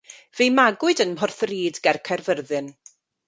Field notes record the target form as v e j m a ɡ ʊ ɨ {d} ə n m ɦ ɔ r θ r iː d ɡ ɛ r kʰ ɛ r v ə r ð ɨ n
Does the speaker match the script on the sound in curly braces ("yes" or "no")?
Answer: yes